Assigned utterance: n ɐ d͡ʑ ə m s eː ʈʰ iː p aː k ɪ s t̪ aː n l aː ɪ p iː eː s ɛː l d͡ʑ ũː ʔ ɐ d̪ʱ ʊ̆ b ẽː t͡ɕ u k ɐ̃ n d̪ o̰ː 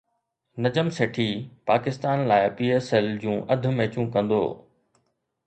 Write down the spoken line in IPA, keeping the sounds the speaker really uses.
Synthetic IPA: n ɐ d͡ʑ ə m s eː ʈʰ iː p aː k ɪ s t̪ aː n l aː ɪ p iː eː s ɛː l d͡ʑ ũː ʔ ɐ d̪ʱ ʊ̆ m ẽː t͡ɕ ũ k ɐ̃ n d̪ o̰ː